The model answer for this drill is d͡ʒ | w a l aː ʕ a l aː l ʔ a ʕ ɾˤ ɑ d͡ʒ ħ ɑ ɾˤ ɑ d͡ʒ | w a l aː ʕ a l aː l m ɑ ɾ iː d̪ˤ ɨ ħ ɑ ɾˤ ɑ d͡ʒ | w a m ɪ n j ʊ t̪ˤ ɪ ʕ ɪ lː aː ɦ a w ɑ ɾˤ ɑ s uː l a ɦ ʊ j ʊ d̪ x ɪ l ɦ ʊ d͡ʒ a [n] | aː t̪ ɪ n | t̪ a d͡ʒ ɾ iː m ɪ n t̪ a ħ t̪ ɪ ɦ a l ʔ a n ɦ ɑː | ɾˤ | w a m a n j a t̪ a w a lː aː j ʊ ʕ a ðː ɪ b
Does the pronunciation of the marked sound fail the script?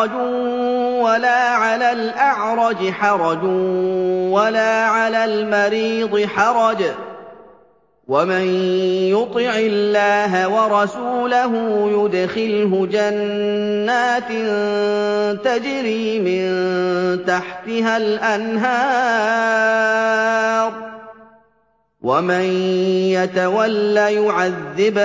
yes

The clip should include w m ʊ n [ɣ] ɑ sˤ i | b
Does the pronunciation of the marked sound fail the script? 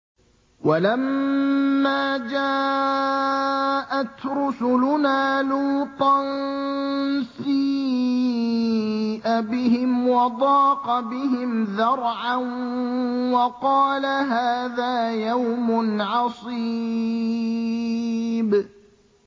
yes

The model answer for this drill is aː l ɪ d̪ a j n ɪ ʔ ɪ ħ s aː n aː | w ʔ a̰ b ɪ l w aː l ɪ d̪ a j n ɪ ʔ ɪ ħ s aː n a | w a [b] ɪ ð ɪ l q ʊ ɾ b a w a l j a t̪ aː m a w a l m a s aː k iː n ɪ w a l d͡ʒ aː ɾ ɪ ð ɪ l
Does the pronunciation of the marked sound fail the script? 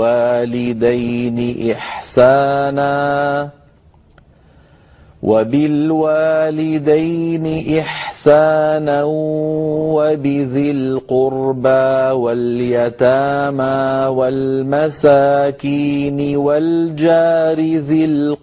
no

